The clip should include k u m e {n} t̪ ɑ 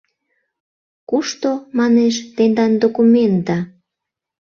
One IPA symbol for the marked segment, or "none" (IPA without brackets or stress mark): n